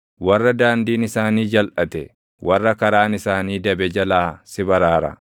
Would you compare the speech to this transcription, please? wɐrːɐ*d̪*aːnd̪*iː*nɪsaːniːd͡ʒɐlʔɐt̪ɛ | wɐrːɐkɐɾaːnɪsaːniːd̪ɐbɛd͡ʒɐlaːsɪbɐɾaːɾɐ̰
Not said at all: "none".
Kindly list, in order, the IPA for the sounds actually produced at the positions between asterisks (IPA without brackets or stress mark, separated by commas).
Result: d̪, iː